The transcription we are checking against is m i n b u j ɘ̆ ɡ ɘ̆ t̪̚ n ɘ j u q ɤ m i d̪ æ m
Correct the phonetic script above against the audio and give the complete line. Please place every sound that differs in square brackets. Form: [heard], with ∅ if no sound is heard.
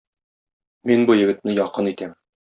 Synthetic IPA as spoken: m i n b u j ɘ̆ ɡ ɘ̆ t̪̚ n ɘ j [ɒ] q ɤ [n] i [t̪] æ m